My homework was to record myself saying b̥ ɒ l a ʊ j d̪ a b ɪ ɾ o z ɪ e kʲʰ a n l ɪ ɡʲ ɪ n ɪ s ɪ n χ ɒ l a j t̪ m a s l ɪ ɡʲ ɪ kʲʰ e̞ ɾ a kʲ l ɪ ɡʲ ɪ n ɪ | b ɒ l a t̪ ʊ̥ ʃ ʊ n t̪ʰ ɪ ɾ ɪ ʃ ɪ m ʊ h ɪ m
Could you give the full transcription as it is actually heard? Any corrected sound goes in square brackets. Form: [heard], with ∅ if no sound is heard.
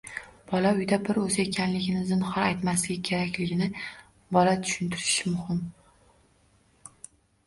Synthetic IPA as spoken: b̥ ɒ l a ʊ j d̪ a b ɪ ɾ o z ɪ e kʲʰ a n l ɪ ɡʲ ɪ n ɪ [z] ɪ n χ ɒ [ɾ] a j t̪ m a s l ɪ ɡʲ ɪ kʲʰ e̞ ɾ a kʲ l ɪ ɡʲ ɪ n ɪ | b ɒ l a [t̪ʰ] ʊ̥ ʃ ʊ n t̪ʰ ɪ ɾ ɪ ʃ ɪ m ʊ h ɪ m

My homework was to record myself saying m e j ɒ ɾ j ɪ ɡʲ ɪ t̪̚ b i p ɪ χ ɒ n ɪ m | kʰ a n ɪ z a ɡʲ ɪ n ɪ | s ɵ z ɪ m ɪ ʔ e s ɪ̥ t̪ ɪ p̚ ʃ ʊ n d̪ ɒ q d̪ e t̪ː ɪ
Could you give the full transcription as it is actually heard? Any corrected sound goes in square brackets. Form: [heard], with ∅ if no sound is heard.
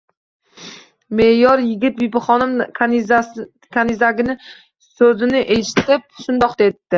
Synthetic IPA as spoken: m e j ɒ ɾ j ɪ ɡʲ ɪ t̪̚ b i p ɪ χ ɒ n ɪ m | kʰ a n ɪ z a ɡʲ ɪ n ɪ | s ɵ z ɪ [n] ɪ ʔ e [ʃ] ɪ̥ t̪ ɪ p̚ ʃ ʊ n d̪ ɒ q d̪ e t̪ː ɪ

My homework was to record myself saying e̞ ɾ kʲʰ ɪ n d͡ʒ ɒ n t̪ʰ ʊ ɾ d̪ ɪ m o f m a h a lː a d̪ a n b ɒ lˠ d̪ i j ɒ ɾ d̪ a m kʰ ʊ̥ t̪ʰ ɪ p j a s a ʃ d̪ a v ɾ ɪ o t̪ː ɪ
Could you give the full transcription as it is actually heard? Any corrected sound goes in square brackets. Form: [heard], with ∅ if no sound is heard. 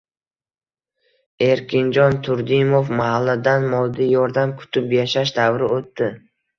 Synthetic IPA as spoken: e̞ ɾ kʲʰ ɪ n d͡ʒ ɒ n t̪ʰ ʊ ɾ d̪ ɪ m o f m a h a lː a d̪ a n [m] ɒ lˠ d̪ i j ɒ ɾ d̪ a m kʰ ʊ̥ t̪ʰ ɪ p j a [ʃ] a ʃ d̪ a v ɾ ɪ o t̪ː ɪ

